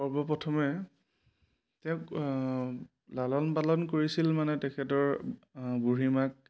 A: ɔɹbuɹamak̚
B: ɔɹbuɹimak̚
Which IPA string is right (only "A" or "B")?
B